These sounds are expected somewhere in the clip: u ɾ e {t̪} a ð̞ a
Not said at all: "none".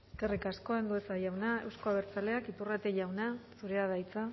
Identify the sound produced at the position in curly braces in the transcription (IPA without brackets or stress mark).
none